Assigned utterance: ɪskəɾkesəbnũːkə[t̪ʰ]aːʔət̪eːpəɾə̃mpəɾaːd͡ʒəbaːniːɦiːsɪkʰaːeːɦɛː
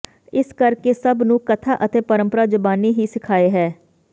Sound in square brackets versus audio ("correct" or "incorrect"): correct